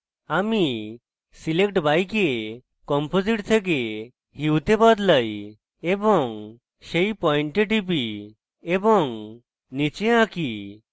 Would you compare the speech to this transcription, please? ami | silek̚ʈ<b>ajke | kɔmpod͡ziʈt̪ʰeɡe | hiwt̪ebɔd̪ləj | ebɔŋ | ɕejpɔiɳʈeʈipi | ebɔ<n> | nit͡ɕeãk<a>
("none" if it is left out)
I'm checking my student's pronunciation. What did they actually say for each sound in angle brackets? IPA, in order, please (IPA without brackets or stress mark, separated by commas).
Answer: b, ŋ, i